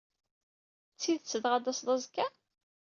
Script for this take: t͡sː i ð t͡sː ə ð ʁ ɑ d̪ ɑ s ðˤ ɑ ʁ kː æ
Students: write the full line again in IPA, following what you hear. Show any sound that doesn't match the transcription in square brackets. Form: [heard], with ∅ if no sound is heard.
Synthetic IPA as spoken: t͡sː i ð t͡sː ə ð ʁ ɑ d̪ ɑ s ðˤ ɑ [z] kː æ